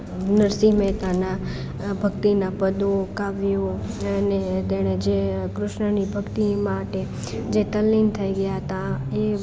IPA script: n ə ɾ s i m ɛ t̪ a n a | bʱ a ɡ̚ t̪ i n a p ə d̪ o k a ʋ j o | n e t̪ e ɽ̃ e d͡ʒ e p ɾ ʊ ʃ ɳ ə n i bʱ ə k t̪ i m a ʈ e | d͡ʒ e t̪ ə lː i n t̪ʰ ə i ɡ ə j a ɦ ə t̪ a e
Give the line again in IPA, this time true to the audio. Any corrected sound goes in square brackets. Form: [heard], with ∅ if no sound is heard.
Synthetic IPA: n ə ɾ s i m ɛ t̪ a n a | bʱ [ə] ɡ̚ t̪ i n a p ə d̪ o k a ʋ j o | n e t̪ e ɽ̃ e d͡ʒ e [k] ɾ ʊ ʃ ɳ ə n i bʱ ə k t̪ i m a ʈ e | d͡ʒ e t̪ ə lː i n t̪ʰ ə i ɡ ə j a ɦ ə t̪ a e